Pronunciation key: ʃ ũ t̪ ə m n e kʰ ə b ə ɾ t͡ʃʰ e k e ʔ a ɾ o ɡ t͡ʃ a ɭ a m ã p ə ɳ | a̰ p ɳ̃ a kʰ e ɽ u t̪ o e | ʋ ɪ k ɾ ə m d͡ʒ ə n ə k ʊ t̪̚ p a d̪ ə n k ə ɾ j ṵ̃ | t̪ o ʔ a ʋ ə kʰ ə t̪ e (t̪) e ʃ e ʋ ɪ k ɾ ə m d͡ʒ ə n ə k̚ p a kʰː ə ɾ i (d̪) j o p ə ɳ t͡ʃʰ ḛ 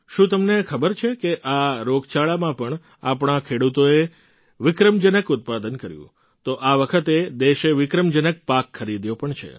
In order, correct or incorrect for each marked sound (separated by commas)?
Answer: incorrect, correct